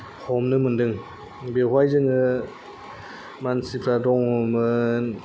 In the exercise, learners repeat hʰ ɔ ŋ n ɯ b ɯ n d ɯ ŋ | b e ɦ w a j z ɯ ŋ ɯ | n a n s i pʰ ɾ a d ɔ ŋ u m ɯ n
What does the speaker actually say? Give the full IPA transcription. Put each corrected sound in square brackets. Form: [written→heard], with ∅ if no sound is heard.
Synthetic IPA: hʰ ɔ [ŋ→m] n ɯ [b→m] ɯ n d ɯ ŋ | b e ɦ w a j z ɯ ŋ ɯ | [n→m] a n s i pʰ ɾ a d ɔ ŋ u m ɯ n